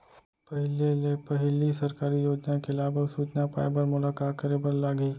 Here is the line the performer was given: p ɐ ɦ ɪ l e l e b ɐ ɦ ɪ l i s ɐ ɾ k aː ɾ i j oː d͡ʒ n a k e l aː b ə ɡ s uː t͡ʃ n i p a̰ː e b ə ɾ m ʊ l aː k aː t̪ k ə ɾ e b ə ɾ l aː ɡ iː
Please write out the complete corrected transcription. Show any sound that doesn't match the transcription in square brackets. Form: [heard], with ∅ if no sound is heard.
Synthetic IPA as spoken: p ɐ ɦ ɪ l e l e [p] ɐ ɦ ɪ l i s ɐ ɾ k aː ɾ i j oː d͡ʒ n a k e l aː b ə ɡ s uː t͡ʃ n [a] p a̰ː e b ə ɾ m ʊ l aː k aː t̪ k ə ɾ e b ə ɾ l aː ɡ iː